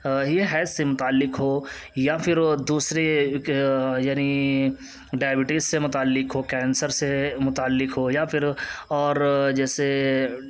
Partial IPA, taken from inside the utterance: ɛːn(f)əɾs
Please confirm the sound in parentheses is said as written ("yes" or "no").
no